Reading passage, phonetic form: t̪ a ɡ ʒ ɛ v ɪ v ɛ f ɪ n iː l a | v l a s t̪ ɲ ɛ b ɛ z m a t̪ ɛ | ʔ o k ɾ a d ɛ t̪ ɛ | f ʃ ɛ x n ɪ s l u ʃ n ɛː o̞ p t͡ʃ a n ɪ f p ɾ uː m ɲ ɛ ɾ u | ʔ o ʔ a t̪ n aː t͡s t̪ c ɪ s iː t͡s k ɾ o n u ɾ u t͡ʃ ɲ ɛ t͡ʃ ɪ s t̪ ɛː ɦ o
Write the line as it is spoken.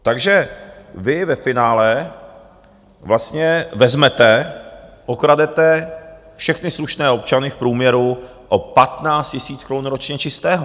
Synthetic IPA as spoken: t̪ a ɡ ʒ ɛ v ɪ v ɛ f ɪ n aː l ɛ | v l a s t̪ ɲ ɛ v ɛ z m ɛ t̪ ɛ | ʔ o k ɾ a d ɛ t̪ ɛ | f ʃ ɛ x n ɪ s l u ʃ n ɛː o̞ p t͡ʃ a n ɪ f p ɾ uː m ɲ ɛ ɾ u | ʔ o p a t̪ n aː t͡s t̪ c ɪ s iː t͡s k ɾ o n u ɾ o t͡ʃ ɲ ɛ t͡ʃ ɪ s t̪ ɛː ɦ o